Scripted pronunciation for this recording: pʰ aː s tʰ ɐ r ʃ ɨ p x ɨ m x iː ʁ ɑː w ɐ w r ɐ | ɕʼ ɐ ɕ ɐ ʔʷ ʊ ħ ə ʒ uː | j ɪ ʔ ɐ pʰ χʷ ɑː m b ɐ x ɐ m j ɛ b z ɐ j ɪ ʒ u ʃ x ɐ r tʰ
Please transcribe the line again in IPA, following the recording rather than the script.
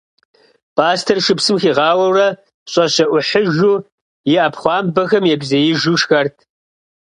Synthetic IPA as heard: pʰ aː s tʰ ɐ r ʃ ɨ p s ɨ m x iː ʁ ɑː w ɐ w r ɐ | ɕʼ ɐ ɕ ɐ ʔʷ ʊ ħ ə ʒ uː | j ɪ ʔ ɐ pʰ χʷ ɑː m b ɐ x ɐ m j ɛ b z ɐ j ɪ ʒ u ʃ x ɐ r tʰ